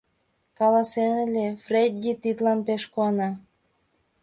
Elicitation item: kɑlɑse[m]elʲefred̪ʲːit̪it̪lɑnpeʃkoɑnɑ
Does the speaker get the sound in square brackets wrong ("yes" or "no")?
yes